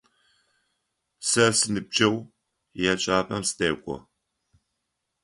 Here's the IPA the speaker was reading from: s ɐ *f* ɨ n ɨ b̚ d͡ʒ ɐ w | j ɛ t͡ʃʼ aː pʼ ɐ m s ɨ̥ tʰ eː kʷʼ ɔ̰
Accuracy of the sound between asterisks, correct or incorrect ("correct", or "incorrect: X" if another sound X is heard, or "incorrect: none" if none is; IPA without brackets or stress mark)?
incorrect: s